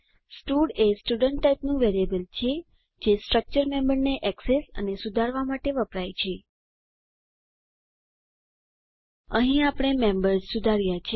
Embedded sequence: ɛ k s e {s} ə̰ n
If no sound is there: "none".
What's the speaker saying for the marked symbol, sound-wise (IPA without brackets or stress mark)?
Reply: s